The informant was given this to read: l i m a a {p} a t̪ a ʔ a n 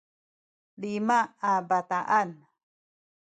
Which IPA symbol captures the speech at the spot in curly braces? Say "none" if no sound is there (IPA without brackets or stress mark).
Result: b